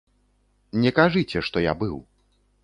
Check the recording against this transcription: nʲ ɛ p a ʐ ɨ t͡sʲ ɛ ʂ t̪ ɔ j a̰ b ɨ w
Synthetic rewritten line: nʲ ɛ k a ʐ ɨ t͡sʲ ɛ ʂ t̪ ɔ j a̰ b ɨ w